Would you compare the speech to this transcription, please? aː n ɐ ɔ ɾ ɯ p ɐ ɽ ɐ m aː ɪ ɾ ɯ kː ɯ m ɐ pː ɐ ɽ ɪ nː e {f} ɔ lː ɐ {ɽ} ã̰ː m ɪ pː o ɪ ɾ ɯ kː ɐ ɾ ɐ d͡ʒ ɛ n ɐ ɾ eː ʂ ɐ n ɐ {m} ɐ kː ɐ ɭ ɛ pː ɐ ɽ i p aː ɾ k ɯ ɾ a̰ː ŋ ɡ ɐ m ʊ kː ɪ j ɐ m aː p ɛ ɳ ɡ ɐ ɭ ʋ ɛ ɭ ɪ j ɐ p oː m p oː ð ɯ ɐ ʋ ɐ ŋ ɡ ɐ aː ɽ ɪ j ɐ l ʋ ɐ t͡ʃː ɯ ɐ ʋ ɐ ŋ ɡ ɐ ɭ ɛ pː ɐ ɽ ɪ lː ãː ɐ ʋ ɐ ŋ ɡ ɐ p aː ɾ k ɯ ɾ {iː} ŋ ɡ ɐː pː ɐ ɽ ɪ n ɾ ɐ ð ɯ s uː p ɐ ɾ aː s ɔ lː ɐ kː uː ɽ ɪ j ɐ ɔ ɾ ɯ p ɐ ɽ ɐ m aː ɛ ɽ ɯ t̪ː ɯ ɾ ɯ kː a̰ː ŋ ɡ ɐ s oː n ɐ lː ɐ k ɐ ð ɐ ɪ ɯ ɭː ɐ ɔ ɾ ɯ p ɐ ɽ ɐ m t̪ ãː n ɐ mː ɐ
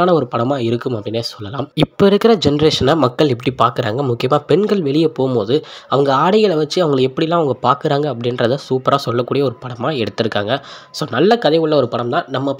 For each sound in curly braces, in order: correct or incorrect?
incorrect: s, incorrect: l, correct, incorrect: aː

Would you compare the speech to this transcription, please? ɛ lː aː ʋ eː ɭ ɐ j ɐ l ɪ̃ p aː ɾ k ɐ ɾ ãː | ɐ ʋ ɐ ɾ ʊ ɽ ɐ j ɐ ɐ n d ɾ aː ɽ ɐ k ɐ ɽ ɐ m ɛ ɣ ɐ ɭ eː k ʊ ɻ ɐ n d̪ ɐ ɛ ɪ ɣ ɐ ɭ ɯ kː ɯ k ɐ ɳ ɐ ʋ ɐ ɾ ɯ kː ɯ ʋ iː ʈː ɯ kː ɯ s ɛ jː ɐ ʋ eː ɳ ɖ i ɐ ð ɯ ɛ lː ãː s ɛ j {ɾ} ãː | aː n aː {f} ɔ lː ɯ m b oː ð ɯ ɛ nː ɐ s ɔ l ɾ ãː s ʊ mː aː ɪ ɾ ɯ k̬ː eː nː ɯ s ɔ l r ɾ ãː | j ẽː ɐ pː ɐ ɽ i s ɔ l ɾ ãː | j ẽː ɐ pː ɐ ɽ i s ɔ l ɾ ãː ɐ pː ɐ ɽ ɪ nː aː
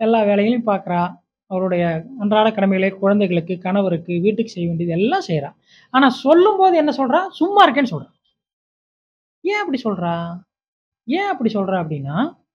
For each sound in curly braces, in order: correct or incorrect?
correct, incorrect: s

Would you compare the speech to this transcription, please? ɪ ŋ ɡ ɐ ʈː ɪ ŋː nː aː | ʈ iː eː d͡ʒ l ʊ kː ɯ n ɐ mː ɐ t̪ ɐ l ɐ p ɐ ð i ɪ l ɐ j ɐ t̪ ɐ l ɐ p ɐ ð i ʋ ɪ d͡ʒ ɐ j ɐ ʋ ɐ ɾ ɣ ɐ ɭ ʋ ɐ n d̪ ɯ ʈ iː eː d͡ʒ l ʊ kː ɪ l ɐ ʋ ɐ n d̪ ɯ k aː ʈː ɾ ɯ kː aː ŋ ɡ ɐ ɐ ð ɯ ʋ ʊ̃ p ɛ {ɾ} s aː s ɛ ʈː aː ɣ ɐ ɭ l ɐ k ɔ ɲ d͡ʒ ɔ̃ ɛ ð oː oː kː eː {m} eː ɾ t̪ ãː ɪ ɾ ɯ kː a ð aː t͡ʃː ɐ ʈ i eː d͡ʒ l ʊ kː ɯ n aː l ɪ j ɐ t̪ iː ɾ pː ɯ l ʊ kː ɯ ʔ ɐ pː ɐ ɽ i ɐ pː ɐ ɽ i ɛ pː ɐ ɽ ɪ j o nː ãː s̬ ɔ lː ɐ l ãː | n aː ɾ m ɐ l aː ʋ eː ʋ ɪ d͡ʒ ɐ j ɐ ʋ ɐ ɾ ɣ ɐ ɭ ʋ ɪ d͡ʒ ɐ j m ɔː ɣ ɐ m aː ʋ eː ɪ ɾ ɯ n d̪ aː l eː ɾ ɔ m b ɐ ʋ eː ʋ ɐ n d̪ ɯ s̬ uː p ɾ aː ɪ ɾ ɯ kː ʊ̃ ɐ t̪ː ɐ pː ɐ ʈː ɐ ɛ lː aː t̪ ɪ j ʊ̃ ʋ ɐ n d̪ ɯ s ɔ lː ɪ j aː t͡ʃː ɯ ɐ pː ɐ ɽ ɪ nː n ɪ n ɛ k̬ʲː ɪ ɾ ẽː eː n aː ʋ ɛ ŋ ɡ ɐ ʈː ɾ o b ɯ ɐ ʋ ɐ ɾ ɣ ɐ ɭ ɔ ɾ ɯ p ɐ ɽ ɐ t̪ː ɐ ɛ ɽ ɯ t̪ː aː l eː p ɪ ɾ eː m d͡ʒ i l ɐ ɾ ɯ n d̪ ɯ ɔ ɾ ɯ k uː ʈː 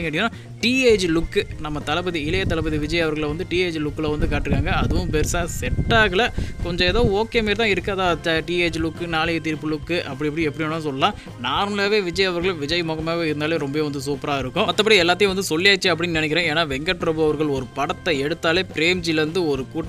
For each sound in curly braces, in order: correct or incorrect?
correct, correct

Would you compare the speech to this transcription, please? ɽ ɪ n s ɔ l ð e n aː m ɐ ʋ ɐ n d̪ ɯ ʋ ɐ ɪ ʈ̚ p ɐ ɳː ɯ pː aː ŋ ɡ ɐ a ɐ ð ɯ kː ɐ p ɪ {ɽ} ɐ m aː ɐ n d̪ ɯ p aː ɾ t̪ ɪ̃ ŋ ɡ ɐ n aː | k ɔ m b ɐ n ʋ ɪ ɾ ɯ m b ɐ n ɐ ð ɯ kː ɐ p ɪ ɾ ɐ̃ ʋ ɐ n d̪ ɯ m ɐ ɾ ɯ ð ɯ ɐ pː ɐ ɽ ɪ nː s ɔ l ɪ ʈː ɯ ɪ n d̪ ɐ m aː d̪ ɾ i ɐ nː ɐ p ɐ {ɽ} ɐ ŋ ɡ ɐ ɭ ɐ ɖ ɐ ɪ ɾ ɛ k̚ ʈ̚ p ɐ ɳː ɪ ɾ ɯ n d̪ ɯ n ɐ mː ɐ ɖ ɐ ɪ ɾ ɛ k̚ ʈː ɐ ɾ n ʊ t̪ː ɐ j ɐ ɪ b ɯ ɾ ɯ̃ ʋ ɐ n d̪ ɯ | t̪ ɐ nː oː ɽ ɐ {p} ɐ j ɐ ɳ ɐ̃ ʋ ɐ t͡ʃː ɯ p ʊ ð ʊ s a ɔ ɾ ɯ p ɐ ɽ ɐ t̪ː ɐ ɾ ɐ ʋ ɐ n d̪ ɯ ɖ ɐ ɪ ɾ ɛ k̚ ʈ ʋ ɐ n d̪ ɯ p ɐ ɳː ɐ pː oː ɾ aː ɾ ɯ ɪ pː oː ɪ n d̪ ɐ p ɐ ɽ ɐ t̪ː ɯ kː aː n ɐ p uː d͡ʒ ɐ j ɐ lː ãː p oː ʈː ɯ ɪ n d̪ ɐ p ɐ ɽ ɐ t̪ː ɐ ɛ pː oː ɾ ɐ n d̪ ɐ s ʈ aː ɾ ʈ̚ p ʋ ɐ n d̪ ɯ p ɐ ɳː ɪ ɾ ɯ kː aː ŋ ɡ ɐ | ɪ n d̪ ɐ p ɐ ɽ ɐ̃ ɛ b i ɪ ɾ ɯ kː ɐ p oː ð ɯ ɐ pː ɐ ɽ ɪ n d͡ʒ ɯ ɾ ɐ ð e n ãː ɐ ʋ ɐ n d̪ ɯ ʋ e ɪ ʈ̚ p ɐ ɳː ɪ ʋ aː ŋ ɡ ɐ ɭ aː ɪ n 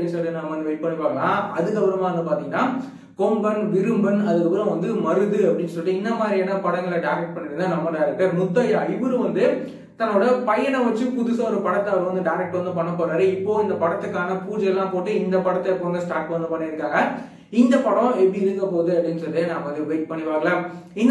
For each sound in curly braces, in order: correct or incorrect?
incorrect: ɾ, correct, correct

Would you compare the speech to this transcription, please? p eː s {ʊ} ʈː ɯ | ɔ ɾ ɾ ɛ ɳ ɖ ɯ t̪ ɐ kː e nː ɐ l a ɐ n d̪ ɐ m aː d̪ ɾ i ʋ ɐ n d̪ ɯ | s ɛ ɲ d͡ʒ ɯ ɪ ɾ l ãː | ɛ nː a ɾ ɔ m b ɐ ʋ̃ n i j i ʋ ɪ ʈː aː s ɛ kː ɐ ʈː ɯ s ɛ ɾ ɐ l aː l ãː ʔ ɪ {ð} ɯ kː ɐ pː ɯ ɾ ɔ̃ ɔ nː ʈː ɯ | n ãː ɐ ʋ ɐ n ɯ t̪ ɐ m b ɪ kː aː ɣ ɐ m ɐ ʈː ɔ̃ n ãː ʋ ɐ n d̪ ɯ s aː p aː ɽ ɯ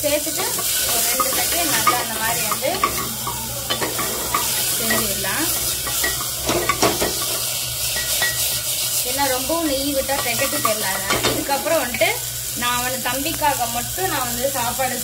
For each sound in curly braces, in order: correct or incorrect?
incorrect: ɯ, correct

